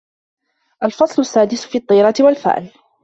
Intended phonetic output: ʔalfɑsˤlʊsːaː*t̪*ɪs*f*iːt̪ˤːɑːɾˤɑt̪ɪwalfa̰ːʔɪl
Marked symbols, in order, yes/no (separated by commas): no, yes